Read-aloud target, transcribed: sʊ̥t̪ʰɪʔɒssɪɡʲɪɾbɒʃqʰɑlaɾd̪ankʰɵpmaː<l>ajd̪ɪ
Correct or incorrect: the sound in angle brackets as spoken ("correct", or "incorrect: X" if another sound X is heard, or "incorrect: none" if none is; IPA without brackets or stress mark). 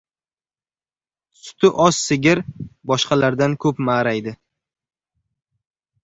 incorrect: ɾ